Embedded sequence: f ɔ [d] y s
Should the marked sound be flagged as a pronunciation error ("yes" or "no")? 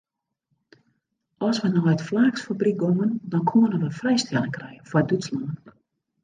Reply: no